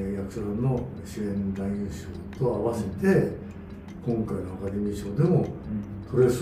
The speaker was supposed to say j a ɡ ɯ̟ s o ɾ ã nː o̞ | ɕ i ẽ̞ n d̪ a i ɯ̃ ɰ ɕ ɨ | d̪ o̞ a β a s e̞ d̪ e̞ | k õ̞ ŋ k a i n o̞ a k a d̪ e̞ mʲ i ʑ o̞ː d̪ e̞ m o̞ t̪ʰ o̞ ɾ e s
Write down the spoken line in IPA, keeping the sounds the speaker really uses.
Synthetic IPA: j a k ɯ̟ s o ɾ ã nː o̞ | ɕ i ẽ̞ n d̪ a i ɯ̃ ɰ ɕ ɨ | t̪ o̞ a β a s e̞ t̪ e̞ | k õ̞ ŋ k a i n o̞ a k a d̪ e̞ mʲ i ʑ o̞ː d̪ e̞ m o̞ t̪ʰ o̞ ɾ e s